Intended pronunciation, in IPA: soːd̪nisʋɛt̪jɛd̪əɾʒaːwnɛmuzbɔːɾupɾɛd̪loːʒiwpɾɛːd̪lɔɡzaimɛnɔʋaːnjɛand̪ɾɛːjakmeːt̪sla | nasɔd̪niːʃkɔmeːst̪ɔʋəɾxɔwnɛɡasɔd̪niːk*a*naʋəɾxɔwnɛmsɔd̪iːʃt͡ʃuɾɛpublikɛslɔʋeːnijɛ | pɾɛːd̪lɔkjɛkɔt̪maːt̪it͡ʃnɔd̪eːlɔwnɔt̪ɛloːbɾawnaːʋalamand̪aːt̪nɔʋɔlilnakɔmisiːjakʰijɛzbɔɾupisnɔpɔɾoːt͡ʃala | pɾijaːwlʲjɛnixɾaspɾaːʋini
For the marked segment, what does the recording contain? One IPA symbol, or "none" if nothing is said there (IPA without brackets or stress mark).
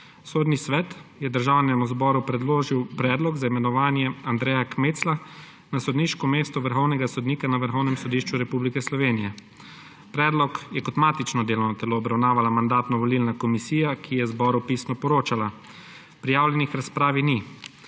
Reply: a